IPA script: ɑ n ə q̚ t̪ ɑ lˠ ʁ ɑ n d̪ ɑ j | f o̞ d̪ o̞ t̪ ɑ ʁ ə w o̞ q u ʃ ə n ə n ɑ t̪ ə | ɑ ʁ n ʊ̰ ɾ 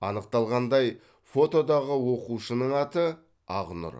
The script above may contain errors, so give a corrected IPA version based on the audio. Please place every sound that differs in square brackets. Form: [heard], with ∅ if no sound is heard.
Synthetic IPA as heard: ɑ n ə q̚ t̪ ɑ lˠ ʁ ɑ n d̪ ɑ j | f o̞ [t̪] o̞ [d̪] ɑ ʁ ə w o̞ q u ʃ ə n ə [ɴ] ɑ t̪ ə | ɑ ʁ n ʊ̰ ɾ